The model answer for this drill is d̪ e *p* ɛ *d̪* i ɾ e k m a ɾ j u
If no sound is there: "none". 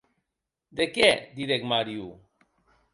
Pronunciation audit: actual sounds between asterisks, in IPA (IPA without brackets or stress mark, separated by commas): k, d̪